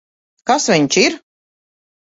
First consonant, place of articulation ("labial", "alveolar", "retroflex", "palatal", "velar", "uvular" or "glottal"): velar